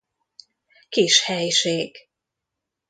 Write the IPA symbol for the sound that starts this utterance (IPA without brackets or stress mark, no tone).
k